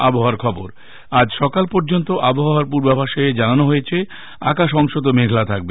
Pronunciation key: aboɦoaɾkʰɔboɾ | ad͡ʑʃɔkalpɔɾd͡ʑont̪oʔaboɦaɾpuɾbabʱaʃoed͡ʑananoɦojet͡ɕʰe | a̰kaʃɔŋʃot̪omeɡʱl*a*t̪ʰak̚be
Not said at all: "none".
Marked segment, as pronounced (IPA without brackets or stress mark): a